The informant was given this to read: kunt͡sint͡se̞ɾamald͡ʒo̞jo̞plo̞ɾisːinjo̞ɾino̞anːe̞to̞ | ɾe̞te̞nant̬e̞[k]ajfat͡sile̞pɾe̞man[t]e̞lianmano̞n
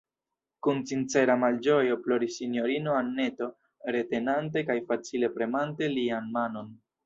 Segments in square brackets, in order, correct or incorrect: correct, correct

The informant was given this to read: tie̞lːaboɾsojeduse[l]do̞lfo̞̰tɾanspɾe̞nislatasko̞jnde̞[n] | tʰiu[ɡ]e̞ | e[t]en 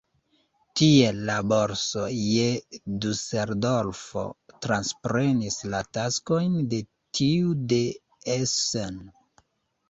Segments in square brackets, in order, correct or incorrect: incorrect: ɾ, incorrect: none, incorrect: d, incorrect: s

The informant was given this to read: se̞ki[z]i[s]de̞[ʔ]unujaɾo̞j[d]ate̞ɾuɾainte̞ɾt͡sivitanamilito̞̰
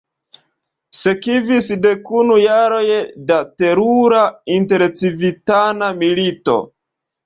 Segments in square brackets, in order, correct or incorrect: incorrect: v, correct, incorrect: k, correct

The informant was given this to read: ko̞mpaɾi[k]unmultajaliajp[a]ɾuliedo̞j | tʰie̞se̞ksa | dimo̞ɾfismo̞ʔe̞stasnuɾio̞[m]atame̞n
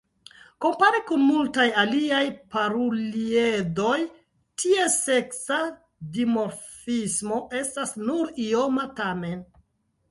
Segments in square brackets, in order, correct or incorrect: correct, correct, correct

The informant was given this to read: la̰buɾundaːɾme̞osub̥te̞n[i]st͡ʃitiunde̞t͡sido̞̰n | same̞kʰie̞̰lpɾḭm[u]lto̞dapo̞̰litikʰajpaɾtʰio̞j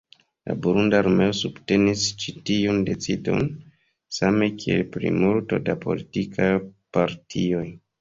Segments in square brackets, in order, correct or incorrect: correct, correct

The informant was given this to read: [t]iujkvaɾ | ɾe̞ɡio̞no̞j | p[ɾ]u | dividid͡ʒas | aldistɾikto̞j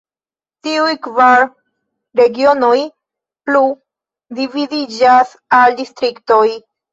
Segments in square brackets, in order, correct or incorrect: correct, incorrect: l

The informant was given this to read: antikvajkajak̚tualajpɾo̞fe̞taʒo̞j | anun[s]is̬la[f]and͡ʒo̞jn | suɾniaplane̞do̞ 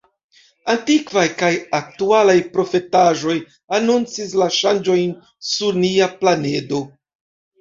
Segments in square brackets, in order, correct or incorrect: incorrect: t͡s, incorrect: ʃ

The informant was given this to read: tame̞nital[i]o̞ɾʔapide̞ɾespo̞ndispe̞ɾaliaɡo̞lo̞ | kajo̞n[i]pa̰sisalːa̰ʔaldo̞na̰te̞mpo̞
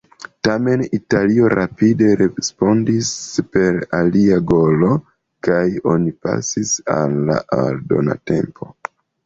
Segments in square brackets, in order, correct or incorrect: correct, correct

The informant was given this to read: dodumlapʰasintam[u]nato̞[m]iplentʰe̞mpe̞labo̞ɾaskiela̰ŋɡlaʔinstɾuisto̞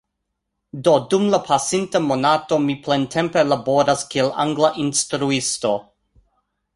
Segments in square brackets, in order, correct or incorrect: incorrect: o, correct

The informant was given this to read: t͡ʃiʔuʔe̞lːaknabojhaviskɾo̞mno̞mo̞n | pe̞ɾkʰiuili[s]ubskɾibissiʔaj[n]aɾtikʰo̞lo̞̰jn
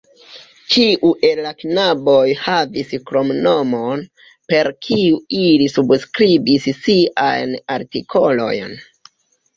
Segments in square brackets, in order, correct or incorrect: correct, correct

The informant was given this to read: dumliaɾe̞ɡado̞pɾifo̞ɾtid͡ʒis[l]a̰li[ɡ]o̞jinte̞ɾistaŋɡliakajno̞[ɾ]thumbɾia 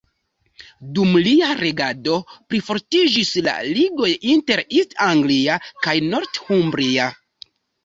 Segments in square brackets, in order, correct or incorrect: correct, correct, correct

